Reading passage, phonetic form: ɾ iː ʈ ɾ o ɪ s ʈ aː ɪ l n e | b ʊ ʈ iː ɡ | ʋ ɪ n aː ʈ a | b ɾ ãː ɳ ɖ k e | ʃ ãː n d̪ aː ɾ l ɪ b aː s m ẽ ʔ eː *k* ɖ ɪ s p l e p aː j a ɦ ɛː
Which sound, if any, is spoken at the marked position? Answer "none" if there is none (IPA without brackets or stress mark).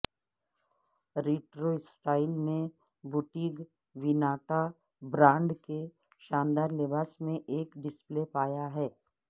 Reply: k